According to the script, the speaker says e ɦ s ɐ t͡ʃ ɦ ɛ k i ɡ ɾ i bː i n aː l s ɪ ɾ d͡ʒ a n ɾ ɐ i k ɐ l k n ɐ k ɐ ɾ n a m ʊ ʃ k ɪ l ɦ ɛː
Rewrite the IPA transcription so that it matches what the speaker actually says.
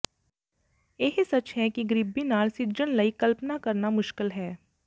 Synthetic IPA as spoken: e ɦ s ɐ t͡ʃ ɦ ɛ k i ɡ ɾ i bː i n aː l s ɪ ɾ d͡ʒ ə n l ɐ i k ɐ l p n a k ɐ ɾ n a m ʊ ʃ k ɪ l ɦ ɛː